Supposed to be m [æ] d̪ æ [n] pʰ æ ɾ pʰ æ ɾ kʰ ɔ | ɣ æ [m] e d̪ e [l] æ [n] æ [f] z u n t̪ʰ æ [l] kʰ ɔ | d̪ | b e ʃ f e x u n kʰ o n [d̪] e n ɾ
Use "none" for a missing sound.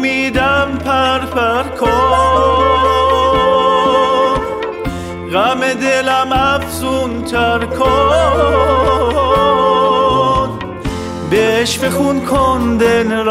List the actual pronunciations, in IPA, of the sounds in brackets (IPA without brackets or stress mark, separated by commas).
i, m, m, l, m, f, ɾ, d̪